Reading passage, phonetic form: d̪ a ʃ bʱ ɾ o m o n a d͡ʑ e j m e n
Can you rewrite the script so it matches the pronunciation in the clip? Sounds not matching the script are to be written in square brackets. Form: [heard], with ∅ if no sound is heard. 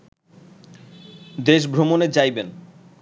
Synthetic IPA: d̪ [e] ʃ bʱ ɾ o m o n [e] d͡ʑ [a] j [b] e n